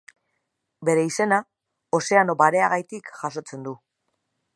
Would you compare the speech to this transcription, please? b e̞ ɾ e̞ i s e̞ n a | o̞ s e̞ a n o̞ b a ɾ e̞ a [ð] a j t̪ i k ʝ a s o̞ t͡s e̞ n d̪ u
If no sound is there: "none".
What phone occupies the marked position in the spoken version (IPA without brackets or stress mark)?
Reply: ɣ